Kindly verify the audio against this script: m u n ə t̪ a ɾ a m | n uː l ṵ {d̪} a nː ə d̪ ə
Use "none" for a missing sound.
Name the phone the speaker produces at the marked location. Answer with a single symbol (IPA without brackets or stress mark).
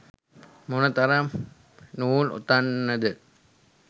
t̪